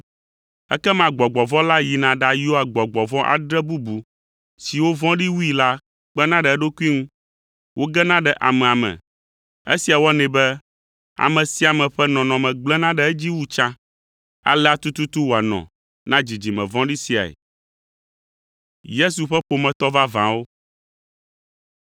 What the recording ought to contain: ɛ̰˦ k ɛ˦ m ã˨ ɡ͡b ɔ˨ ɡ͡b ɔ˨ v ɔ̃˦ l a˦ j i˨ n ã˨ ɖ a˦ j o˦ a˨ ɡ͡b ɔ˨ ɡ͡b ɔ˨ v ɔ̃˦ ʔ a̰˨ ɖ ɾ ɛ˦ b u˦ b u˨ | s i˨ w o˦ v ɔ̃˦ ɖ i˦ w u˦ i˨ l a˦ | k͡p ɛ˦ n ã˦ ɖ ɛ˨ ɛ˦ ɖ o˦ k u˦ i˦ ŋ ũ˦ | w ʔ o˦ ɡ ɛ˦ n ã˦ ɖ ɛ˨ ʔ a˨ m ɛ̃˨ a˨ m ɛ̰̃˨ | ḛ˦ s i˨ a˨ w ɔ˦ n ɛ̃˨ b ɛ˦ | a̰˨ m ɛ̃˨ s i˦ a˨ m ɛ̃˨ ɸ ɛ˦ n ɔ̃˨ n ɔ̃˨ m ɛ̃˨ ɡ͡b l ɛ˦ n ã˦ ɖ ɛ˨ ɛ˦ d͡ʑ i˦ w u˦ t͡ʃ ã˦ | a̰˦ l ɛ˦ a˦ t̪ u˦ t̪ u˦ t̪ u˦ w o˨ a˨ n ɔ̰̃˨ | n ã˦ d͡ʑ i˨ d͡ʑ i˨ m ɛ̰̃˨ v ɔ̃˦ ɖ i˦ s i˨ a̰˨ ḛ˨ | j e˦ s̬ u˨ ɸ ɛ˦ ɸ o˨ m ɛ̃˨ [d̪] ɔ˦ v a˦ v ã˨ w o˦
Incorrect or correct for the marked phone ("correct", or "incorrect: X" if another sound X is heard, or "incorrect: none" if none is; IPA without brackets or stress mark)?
incorrect: t̪